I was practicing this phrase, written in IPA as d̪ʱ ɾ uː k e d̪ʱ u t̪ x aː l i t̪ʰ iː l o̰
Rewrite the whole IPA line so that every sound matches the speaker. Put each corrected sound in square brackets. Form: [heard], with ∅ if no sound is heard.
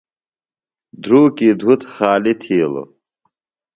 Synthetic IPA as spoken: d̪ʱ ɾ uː k [i] d̪ʱ u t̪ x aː l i t̪ʰ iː l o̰